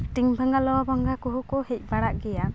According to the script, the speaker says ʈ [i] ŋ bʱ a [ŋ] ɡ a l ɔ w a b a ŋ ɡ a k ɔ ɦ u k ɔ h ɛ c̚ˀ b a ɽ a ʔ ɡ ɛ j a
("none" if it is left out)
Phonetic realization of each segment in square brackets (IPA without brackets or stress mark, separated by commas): i, ŋ